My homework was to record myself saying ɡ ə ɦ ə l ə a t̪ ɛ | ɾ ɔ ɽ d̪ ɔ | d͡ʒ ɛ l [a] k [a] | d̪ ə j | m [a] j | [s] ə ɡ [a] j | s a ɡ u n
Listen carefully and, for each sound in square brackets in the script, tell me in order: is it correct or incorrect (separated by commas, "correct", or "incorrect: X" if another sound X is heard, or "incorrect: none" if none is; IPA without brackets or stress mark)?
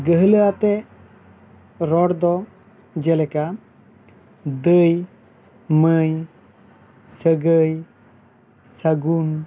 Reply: incorrect: ɛ, correct, incorrect: ə, correct, incorrect: ə